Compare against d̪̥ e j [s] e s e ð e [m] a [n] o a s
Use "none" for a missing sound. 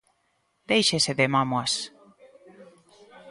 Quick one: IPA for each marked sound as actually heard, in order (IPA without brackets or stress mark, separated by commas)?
ʃ, m, m